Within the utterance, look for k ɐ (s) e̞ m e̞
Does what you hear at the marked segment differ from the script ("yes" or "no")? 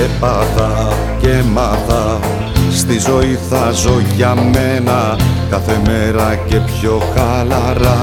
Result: yes